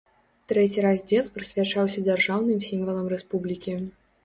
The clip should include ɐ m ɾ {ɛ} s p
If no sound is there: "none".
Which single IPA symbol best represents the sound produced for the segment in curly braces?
ɛ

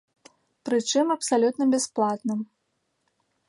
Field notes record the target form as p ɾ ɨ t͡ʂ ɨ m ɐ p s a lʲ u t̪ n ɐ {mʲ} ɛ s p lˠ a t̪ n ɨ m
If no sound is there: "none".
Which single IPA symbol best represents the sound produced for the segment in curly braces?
bʲ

